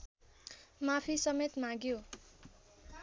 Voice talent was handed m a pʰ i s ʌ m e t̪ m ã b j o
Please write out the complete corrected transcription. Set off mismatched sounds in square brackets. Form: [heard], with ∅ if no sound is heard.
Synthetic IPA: m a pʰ i s ʌ m e t̪ m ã [ɡ] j o

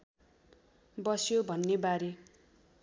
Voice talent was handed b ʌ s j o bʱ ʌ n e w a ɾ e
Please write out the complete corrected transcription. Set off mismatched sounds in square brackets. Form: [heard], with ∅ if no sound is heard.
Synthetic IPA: b ʌ s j o bʱ ʌ [nː] e [b] a ɾ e

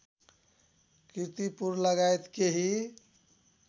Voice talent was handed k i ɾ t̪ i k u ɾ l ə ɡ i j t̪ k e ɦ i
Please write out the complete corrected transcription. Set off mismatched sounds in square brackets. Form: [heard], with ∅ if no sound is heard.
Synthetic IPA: k i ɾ t̪ i [p] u ɾ l ə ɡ [a] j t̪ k e ɦ i

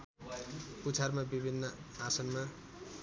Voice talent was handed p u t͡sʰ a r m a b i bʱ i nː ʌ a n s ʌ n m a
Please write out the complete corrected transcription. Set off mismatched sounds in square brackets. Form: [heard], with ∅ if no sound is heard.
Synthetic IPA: p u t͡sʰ a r m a b i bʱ i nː ʌ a [∅] s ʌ n m a

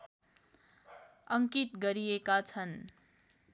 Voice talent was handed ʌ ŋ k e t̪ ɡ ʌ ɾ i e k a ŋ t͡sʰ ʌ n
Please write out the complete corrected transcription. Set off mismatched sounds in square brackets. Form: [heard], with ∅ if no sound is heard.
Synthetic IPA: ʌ ŋ k [i] t̪ ɡ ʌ ɾ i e k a [∅] t͡sʰ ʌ n

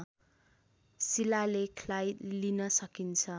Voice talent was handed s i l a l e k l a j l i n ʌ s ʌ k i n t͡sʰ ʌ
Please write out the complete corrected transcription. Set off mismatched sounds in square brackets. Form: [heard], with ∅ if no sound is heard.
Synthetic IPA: s i l a l e [kʰ] l a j l i n ʌ s ʌ k i n t͡sʰ ʌ

